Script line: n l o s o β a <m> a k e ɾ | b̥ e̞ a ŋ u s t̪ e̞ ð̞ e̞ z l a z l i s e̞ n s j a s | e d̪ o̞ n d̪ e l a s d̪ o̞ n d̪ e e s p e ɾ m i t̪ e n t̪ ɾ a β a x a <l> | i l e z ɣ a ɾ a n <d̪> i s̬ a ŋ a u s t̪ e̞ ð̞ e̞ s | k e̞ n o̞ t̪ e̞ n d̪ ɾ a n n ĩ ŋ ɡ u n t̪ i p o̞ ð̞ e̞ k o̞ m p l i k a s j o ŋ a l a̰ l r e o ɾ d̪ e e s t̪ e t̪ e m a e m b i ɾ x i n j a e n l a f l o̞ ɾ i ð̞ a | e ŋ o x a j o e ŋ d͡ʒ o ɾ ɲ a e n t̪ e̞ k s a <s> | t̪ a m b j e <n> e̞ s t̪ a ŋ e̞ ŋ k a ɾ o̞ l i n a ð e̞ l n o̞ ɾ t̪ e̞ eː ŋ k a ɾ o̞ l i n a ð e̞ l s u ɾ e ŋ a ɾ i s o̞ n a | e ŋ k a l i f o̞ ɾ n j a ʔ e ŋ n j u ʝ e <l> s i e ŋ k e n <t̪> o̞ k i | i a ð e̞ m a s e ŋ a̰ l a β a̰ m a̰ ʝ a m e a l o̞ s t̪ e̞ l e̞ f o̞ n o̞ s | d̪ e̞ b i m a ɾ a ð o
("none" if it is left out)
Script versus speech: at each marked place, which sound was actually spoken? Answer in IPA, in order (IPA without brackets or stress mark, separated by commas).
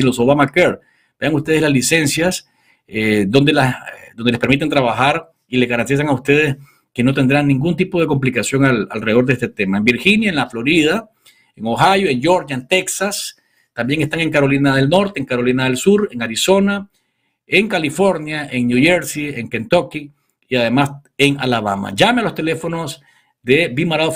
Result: m, ɾ, t̪, s, ŋ, ɾ, t̪